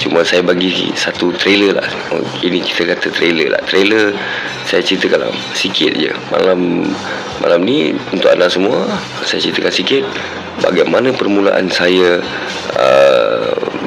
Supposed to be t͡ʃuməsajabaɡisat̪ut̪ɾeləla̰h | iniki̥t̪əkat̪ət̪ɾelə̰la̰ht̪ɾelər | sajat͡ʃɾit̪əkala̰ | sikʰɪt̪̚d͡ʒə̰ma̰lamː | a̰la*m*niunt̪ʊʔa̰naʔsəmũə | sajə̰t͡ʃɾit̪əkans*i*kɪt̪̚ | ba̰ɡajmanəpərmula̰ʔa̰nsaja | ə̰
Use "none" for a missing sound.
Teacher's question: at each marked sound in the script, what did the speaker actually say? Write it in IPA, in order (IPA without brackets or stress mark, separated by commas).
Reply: m, i